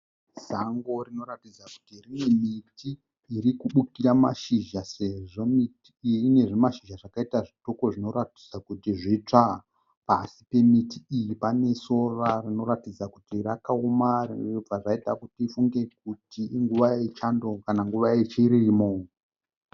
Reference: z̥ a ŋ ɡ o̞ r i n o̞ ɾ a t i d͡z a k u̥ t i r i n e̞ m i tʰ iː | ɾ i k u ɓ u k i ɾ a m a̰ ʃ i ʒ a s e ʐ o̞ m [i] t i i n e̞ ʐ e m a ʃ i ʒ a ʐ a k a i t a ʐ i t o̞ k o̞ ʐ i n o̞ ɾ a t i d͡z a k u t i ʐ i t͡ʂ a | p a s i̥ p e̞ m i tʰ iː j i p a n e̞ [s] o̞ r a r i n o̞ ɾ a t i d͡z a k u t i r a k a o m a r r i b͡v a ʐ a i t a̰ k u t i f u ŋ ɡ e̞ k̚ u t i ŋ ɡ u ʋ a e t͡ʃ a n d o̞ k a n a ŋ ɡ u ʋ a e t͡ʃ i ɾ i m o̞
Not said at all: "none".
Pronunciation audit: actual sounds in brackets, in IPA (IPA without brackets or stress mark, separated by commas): i, s